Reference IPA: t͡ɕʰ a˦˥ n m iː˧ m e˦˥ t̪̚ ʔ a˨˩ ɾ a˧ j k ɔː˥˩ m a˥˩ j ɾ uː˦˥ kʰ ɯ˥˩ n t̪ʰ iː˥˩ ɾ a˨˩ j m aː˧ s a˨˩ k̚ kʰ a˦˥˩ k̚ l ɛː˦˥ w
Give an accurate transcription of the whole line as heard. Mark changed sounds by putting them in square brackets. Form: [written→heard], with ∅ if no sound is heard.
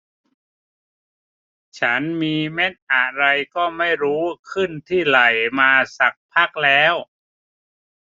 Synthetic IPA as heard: t͡ɕʰ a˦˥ n m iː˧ m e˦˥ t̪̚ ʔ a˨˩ ɾ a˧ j k ɔː˥˩ m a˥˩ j ɾ uː˦˥ kʰ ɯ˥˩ n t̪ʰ iː˥˩ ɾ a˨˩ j m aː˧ s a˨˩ k̚ [kʰ→pʰ] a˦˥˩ k̚ l ɛː˦˥ w